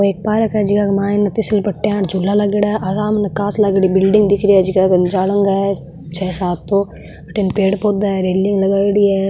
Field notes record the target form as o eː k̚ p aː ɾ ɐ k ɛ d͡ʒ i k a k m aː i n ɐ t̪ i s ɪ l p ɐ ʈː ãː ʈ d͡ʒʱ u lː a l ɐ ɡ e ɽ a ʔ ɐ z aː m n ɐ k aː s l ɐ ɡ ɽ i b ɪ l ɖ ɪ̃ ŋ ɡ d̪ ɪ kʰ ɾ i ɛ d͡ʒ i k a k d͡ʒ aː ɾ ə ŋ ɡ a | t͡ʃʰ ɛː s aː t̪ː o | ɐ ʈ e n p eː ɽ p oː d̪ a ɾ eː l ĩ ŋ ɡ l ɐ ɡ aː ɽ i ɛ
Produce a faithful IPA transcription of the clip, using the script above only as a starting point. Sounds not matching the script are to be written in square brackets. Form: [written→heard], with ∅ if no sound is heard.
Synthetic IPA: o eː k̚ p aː ɾ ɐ k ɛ d͡ʒ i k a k m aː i n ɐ t̪ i s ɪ l p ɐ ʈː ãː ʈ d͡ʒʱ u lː a l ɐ ɡ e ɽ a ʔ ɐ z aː m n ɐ k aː s l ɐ ɡ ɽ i b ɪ l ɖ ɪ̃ ŋ ɡ d̪ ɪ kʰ ɾ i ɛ d͡ʒ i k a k d͡ʒ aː [ɾ→l] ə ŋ ɡ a | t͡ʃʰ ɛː s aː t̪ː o | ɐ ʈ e n p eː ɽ p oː d̪ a ɾ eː l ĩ ŋ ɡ l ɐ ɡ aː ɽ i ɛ